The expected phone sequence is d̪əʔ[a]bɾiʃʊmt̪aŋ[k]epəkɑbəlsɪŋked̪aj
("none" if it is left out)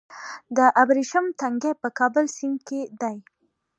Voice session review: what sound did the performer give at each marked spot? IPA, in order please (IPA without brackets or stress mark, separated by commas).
a, ɡ